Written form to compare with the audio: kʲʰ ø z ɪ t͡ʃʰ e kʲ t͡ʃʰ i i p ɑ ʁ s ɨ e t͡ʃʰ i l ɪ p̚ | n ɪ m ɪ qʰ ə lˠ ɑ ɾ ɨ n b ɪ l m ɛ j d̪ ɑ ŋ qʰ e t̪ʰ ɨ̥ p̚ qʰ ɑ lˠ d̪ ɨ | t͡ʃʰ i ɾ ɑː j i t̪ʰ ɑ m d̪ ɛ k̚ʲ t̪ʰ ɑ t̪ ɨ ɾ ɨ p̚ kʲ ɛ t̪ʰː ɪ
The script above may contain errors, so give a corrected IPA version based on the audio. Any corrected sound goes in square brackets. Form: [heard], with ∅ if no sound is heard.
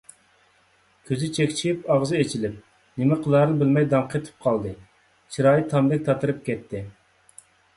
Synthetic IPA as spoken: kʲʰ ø z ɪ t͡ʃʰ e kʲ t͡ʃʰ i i p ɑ ʁ [z] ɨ e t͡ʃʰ i l ɪ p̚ | n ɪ m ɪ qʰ ə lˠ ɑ ɾ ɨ n b ɪ l m ɛ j d̪ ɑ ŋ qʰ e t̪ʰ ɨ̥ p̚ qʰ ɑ lˠ d̪ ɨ | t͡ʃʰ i ɾ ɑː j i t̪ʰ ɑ m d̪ ɛ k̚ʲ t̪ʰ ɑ t̪ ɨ ɾ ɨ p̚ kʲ ɛ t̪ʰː ɪ